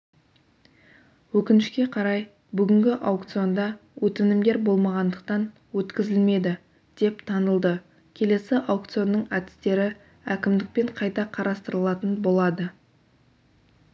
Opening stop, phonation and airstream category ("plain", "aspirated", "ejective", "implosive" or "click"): plain